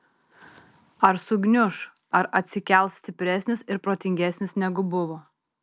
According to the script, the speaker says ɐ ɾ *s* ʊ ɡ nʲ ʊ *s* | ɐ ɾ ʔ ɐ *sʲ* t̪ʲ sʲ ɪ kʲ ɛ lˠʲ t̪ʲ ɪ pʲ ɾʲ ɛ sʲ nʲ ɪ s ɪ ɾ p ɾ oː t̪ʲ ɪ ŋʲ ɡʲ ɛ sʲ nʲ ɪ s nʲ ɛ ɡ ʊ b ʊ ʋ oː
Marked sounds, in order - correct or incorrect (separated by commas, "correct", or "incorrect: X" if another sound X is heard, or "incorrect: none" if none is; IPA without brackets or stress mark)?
correct, incorrect: ʃ, incorrect: none